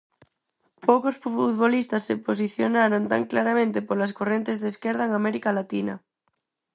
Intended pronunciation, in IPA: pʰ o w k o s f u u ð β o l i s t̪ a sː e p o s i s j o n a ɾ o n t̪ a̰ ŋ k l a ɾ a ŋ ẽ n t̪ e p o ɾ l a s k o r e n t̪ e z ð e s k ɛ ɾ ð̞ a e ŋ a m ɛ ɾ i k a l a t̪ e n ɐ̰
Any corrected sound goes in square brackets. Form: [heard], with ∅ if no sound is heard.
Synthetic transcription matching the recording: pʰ o w k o s f u u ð β o l i s t̪ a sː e p o s i [θ] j o n a ɾ o n t̪ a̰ ŋ k l a ɾ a [m] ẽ n t̪ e p o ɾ l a s k o r e n t̪ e z ð e s k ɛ ɾ ð̞ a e ŋ a m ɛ ɾ i k a l a t̪ [i] n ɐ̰